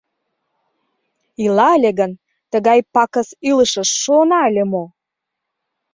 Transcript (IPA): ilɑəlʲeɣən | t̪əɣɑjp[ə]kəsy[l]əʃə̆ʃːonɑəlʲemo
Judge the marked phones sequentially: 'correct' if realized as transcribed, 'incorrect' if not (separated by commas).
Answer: incorrect, correct